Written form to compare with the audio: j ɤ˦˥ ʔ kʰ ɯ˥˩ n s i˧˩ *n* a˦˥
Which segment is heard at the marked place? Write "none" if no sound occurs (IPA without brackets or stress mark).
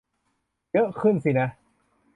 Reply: n